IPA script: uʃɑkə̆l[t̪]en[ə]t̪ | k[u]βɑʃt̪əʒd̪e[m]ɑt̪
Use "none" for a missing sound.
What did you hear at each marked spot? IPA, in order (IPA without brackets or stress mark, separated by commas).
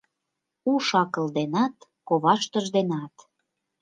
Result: d̪, ɑ, o, n